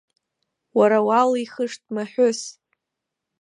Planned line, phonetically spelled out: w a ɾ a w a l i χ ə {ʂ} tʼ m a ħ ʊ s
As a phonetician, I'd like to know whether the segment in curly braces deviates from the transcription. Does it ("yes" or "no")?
no